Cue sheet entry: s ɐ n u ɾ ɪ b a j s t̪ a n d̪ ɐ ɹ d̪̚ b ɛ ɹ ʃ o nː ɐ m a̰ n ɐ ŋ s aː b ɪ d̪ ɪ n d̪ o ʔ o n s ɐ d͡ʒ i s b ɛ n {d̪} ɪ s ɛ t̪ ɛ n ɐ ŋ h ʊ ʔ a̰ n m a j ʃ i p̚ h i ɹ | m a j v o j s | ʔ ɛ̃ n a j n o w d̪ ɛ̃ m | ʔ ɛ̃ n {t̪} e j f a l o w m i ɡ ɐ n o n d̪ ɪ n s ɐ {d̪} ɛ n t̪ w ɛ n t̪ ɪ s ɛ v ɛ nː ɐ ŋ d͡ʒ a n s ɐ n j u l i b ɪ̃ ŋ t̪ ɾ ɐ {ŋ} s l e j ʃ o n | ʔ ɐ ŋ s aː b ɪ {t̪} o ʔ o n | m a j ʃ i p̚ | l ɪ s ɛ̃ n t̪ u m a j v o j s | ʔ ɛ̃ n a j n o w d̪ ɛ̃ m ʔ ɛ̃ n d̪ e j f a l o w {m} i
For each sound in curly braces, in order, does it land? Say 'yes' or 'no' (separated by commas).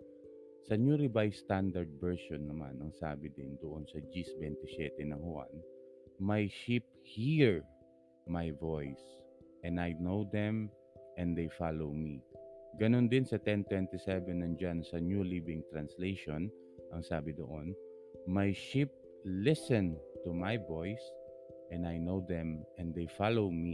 no, no, no, no, no, yes